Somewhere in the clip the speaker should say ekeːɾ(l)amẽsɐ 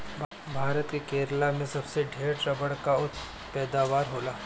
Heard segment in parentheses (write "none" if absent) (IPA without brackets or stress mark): l